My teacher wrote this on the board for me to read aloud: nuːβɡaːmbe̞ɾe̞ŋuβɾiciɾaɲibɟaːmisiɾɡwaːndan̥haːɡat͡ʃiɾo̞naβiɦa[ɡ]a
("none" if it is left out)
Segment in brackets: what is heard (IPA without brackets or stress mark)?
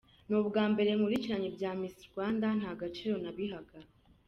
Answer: ɡ